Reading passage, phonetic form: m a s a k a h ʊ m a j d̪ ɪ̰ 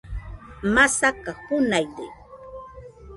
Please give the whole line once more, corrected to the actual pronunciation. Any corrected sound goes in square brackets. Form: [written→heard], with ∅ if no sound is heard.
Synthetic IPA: m a s a k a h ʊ [m→n] a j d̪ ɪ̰

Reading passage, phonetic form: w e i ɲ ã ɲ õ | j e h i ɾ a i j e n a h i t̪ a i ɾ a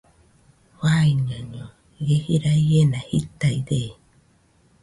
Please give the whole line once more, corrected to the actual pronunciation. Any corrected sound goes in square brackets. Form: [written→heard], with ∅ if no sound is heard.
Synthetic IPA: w [e→a] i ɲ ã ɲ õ | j e h i ɾ a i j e n a h i t̪ a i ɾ [a→e]

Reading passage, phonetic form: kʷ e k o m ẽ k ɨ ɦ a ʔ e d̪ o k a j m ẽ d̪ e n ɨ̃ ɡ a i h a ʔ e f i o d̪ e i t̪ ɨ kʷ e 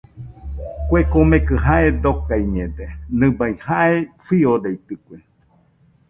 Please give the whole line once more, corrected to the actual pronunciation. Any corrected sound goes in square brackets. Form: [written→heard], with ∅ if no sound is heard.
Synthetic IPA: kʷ e k o m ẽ k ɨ ɦ a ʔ e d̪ o k a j [m→ɲ] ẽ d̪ e n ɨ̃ [ɡ→b] a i h a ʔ e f i o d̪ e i t̪ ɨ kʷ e

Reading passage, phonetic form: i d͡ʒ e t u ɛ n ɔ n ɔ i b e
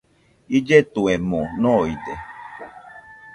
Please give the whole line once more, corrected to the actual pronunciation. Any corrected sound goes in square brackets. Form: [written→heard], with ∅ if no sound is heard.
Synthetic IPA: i d͡ʒ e t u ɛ [n→m] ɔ n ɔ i [b→d] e

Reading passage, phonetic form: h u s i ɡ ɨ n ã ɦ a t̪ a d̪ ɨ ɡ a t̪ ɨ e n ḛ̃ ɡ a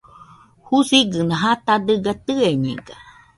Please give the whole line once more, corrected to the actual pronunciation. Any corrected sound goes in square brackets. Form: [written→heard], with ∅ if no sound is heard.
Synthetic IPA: h u s i ɡ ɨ n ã ɦ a t̪ a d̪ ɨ ɡ a t̪ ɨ e [n→ɲ] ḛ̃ ɡ a

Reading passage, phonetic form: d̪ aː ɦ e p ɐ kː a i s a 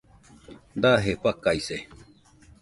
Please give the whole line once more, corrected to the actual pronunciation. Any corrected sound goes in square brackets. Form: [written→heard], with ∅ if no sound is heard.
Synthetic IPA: d̪ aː ɦ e p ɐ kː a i s [a→e]

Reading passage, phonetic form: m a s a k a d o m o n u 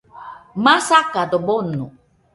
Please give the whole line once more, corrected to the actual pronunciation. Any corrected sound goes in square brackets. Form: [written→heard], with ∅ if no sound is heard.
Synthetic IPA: m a s a k a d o [m→b] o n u

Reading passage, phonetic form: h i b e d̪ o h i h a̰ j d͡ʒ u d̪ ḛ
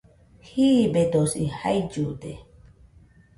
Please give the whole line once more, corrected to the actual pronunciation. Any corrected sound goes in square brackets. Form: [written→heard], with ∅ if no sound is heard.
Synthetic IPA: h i b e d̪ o [h→s] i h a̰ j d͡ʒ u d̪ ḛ

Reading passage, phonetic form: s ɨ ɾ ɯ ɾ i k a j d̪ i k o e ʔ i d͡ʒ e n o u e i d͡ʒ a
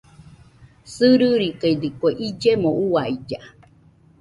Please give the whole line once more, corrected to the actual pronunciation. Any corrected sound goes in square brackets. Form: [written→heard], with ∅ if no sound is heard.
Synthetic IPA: s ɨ ɾ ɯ ɾ i k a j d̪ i k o e ʔ i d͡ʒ e [n→m] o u [e→a] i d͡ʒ a

